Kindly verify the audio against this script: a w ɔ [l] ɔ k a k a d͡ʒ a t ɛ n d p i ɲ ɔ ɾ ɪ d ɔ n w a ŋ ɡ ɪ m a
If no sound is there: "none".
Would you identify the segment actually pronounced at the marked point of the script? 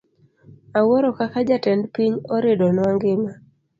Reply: ɾ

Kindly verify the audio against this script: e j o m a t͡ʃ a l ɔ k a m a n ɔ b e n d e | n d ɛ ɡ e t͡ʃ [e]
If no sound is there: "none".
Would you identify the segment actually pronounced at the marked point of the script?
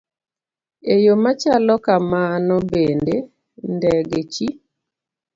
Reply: i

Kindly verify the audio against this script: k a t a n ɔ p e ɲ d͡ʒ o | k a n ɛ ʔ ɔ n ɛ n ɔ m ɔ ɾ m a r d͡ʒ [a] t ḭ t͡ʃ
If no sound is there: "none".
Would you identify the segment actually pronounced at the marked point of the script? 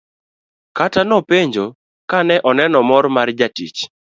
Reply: a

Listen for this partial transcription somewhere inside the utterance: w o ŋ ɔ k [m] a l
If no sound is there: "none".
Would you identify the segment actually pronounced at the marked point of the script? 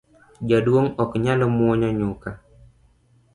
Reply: ɲ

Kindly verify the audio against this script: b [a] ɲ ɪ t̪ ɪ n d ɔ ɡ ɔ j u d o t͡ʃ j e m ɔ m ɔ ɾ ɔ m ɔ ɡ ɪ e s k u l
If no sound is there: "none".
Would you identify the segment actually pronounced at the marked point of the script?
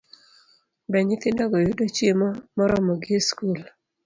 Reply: ɛ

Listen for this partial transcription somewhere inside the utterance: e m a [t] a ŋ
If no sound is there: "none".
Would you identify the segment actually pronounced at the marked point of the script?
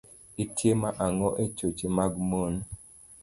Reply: ʔ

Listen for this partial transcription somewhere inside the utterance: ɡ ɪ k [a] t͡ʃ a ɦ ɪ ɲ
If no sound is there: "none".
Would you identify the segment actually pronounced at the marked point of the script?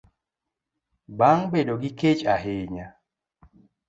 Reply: e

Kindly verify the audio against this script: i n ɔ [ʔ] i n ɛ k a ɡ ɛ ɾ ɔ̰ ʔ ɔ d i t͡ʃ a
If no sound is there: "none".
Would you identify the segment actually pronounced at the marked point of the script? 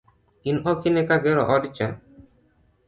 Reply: k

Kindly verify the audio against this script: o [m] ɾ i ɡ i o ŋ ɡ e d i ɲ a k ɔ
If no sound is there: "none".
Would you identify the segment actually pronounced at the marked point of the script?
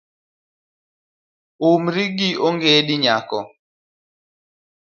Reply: m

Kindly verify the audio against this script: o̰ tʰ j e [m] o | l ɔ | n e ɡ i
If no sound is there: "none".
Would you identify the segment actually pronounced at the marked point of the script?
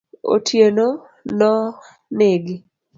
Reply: n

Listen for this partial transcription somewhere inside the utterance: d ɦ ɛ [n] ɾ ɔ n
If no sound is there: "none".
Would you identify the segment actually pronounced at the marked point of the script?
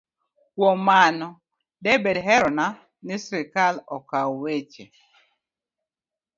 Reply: none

